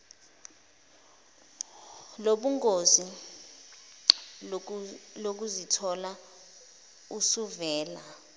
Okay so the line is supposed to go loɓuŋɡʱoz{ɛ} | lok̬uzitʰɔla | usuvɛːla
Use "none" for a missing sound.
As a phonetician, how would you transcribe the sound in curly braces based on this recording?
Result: i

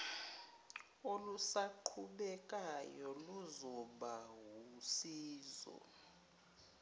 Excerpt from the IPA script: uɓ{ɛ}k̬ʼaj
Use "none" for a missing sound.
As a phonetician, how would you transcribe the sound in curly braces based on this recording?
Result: ɛ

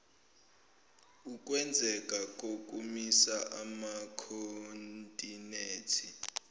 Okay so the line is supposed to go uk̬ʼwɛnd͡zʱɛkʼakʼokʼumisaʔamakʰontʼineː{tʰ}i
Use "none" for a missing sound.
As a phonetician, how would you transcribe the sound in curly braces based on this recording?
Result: tʰ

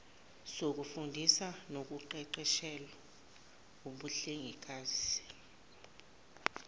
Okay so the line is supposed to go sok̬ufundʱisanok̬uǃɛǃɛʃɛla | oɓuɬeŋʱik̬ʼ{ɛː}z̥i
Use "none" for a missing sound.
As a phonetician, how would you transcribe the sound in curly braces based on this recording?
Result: aː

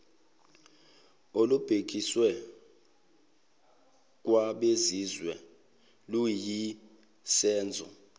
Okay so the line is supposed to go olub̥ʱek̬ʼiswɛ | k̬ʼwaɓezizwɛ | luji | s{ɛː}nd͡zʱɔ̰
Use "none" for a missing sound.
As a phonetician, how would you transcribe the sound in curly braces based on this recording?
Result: ɛː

